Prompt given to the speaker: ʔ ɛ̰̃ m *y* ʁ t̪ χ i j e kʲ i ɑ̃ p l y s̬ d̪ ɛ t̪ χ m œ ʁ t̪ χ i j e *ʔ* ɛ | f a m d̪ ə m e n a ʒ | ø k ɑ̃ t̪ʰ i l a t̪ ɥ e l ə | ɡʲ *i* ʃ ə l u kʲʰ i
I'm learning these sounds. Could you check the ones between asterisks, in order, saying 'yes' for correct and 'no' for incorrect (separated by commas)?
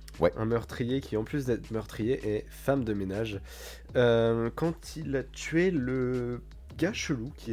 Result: no, yes, no